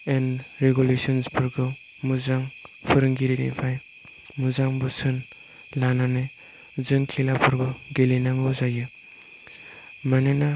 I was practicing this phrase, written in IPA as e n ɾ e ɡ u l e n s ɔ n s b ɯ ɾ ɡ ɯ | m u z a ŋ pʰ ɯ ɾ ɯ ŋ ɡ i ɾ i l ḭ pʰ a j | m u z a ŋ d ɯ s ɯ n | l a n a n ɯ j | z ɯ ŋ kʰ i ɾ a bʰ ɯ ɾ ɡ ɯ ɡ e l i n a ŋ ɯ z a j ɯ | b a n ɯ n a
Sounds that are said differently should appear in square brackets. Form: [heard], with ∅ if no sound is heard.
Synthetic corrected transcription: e n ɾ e ɡ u l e [∅] s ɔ n s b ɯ ɾ ɡ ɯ | m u z a ŋ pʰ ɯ ɾ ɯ ŋ ɡ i ɾ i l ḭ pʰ a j | m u z a ŋ [b] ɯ s ɯ n | l a n a n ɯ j | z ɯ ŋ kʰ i [l] a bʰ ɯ ɾ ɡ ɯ ɡ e l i n a ŋ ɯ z a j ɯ | [m] a n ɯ n a